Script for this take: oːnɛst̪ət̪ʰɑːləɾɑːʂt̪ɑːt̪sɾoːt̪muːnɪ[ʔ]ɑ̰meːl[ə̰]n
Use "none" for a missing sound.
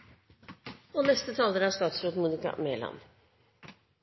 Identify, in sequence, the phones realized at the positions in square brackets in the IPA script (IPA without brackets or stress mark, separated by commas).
k, ɑ̰